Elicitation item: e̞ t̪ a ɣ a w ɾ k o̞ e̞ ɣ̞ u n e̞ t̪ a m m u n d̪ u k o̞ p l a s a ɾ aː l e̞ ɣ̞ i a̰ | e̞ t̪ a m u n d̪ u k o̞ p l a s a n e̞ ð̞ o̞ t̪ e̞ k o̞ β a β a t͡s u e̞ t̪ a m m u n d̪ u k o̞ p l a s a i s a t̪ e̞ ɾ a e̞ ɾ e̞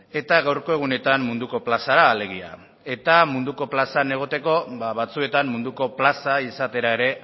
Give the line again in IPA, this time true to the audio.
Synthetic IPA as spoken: e̞ t̪ a ɣ a w ɾ k o̞ e̞ ɣ̞ u n e̞ t̪ a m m u n d̪ u k o̞ p l a s a ɾ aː l e̞ ɣ̞ i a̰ | e̞ t̪ a m u n d̪ u k o̞ p l a s a n e̞ ɣ̞ o̞ t̪ e̞ k o̞ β a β a t͡s u e̞ t̪ a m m u n d̪ u k o̞ p l a s a i s a t̪ e̞ ɾ a e̞ ɾ e̞